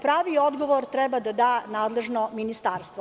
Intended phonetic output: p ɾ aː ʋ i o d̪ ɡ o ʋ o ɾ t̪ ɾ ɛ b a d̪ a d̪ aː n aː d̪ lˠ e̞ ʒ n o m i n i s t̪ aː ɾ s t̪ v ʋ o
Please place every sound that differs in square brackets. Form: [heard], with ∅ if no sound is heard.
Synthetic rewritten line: p ɾ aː ʋ i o d̪ ɡ o ʋ o ɾ t̪ ɾ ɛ b a d̪ a d̪ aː n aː d̪ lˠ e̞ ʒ n o m i n i s t̪ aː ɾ s t̪ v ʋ o